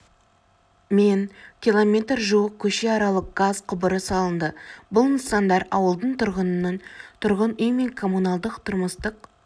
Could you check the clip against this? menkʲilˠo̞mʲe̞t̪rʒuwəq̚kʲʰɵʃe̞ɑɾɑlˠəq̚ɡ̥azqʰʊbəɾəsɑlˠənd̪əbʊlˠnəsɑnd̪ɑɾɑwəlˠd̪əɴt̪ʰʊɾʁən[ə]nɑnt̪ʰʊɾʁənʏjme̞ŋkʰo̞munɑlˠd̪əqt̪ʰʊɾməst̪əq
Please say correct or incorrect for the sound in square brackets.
correct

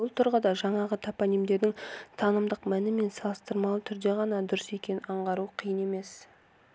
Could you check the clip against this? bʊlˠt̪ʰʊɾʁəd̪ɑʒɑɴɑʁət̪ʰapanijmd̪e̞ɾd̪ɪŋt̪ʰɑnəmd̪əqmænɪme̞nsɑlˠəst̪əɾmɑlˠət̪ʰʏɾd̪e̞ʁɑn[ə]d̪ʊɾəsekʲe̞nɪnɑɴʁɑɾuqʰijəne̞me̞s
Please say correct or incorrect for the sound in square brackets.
incorrect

